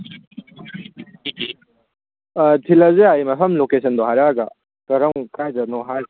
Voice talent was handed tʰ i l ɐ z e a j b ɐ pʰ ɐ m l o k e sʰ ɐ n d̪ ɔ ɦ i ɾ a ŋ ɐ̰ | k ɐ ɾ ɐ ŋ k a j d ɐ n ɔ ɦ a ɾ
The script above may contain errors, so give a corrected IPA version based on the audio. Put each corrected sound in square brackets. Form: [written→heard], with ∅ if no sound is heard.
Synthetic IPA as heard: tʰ i l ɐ z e a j [b→m] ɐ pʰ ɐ m l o k e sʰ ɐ n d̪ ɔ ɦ [i→a] ɾ a [ŋ→ɡ] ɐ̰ | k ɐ ɾ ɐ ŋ k a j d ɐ n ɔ ɦ a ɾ